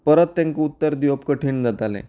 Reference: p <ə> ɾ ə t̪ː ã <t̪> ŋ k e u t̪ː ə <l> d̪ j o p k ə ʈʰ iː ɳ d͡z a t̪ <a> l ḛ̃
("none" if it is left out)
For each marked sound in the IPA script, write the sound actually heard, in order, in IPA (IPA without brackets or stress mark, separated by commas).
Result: ə, none, ɾ, a